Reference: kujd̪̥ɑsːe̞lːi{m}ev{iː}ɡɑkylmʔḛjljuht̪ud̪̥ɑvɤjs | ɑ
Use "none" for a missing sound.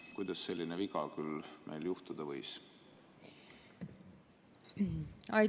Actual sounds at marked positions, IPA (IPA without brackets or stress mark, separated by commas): n, i